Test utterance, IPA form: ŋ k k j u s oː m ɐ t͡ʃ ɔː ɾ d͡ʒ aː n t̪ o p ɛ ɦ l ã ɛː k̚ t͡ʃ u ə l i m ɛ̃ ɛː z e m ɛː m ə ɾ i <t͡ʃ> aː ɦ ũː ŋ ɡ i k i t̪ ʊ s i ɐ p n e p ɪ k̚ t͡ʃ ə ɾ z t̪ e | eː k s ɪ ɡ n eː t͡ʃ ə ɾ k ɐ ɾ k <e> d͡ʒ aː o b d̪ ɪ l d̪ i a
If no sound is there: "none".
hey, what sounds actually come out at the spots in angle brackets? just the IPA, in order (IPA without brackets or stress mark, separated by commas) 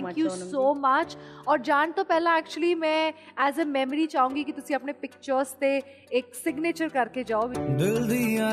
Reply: t͡ʃ, e